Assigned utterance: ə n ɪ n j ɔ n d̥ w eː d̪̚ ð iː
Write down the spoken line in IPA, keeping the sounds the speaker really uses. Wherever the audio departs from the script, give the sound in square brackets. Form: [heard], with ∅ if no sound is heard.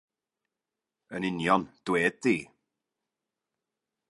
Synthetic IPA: ə n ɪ n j ɔ n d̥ w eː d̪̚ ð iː